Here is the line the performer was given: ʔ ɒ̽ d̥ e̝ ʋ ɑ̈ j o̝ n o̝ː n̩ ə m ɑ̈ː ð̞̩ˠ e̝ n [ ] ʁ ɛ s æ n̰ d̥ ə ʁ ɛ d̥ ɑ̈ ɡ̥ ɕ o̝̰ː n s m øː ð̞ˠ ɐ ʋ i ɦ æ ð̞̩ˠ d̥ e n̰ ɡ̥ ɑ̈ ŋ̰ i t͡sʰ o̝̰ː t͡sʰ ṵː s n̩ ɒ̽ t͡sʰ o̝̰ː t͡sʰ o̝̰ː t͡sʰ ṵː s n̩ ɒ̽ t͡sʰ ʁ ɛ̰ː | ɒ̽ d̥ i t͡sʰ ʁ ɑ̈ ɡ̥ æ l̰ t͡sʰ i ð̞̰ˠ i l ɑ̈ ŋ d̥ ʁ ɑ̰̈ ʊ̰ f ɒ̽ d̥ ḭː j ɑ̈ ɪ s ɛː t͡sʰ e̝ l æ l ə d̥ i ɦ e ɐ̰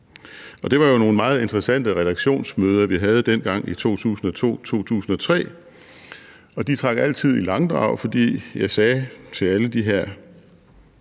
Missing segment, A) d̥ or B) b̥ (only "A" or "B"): A